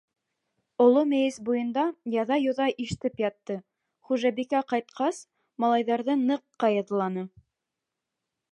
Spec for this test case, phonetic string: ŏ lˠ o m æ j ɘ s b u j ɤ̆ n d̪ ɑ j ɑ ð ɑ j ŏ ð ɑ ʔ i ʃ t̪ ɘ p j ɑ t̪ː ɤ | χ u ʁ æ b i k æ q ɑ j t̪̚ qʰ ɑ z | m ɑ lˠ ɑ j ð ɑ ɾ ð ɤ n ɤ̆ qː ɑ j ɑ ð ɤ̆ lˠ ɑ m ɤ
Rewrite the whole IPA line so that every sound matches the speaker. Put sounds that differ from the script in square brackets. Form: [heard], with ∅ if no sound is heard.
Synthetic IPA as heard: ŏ lˠ o m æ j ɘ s b u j ɤ̆ n d̪ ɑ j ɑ ð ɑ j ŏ ð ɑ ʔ i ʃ t̪ ɘ p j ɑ t̪ː ɤ | χ u [ʒ] æ b i k æ q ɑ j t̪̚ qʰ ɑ [s] | m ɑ lˠ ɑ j ð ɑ ɾ ð ɤ n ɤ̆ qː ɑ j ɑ ð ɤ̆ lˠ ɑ [n] ɤ